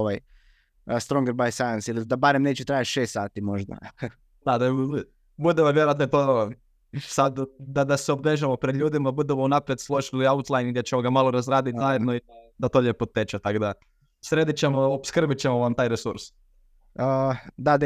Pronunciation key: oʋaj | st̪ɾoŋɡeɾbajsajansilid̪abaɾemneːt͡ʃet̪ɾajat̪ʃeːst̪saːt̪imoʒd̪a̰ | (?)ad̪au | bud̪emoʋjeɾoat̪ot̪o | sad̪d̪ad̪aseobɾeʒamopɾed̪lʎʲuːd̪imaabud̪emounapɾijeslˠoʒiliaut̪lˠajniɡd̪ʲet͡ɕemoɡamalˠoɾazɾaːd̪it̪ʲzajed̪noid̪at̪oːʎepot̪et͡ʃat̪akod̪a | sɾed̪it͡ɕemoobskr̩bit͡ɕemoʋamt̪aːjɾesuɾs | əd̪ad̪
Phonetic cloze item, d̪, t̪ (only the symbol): d̪